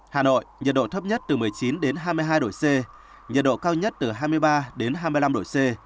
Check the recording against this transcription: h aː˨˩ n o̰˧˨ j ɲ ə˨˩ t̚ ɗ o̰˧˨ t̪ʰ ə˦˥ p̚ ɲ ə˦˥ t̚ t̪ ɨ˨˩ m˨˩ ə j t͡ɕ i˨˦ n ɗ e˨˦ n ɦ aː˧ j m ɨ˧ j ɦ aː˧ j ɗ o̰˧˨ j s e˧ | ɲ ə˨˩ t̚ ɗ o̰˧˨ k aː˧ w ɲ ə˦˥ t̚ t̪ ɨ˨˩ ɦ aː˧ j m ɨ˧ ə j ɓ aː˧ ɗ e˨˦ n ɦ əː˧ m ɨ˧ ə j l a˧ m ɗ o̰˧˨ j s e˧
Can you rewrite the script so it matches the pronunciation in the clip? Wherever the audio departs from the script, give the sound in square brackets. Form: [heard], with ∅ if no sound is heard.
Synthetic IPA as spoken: h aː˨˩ n o̰˧˨ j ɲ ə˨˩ t̚ ɗ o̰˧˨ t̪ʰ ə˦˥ p̚ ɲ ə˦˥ t̚ t̪ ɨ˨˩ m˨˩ ə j t͡ɕ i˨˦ n ɗ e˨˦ n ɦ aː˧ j m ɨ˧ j ɦ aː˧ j ɗ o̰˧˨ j s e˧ | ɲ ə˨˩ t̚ ɗ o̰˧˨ k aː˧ w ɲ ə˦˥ t̚ t̪ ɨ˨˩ ɦ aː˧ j m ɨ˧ ə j ɓ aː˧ ɗ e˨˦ n ɦ [aː˧] m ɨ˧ ə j l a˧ m ɗ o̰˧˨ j s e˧